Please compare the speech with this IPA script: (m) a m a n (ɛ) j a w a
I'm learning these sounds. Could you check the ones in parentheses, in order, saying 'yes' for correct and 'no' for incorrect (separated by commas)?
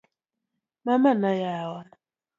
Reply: yes, no